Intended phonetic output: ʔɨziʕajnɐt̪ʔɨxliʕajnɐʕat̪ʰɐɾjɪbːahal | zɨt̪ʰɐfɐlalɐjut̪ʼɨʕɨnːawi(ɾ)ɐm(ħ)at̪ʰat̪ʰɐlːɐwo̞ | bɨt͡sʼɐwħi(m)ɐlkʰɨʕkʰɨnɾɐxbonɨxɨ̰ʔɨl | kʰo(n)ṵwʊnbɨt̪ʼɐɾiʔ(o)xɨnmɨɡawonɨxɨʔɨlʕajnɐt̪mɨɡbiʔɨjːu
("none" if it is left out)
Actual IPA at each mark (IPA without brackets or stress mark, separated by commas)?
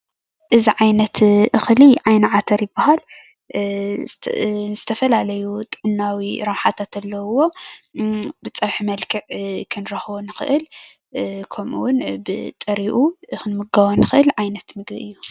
ɾ, ħ, m, m, u